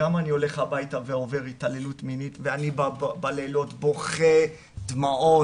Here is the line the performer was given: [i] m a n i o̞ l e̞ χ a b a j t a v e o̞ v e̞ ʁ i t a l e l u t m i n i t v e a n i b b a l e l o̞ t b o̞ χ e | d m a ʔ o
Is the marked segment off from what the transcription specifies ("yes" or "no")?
yes